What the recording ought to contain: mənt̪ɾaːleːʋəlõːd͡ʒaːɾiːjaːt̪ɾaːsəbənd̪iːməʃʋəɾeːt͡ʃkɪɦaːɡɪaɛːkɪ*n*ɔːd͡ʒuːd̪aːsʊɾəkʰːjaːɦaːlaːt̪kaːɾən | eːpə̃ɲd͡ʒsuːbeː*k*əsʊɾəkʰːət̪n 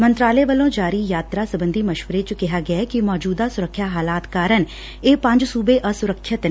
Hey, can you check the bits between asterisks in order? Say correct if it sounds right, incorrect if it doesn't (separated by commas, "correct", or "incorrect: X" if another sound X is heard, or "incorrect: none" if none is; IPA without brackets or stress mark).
incorrect: m, incorrect: ʔ